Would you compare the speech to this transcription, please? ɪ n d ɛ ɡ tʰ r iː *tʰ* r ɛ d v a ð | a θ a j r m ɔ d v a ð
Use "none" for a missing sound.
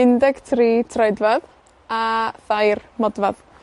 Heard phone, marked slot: tʰ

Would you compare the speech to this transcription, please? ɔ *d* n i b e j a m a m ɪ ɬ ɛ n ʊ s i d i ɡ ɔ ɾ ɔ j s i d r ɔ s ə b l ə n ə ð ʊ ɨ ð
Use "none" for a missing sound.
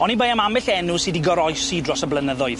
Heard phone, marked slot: none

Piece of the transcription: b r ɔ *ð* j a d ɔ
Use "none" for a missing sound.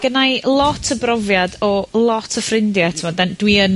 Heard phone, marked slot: v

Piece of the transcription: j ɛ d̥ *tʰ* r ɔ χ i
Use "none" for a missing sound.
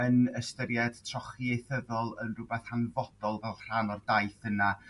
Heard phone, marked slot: tʰ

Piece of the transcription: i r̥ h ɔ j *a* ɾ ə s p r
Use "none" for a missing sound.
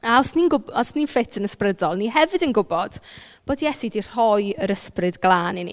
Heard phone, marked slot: ə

